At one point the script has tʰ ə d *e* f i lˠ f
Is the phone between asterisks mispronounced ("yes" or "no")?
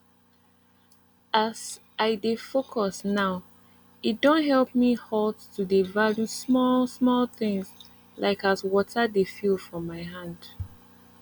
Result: no